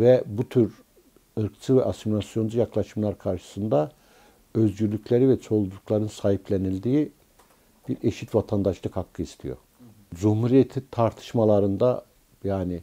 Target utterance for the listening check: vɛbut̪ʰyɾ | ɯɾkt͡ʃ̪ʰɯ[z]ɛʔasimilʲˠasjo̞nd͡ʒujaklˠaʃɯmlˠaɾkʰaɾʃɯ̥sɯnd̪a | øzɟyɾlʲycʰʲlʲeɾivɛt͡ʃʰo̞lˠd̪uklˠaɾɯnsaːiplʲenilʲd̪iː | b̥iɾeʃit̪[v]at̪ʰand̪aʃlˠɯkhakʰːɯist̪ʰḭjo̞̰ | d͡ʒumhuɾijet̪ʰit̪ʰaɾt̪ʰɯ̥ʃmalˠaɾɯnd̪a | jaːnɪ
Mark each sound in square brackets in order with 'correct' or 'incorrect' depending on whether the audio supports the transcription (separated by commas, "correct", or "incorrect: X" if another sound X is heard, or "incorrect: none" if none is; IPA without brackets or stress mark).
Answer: incorrect: v, correct